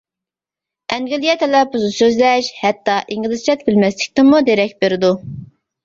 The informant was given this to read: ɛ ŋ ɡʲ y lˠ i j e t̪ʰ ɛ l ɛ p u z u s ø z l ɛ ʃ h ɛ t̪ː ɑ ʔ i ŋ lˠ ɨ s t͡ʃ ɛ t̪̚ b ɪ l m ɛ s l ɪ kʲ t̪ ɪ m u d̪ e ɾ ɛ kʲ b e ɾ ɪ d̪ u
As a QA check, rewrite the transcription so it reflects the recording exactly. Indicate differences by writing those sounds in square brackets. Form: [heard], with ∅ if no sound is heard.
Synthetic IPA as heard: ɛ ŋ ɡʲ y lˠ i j [ɛ] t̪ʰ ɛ l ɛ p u z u s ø z l ɛ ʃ h ɛ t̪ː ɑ ʔ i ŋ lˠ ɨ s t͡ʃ ɛ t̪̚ b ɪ l m ɛ s l ɪ kʲ t̪ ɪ m u d̪ e ɾ ɛ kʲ b e ɾ ɪ d̪ u